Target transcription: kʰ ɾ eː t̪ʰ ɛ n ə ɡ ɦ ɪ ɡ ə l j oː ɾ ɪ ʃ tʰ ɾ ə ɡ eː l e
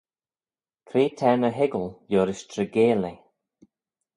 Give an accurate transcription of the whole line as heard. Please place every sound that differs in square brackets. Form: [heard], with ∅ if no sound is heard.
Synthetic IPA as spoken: kʰ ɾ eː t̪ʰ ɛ n ə [∅] ɦ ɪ ɡ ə l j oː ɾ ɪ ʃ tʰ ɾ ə ɡ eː l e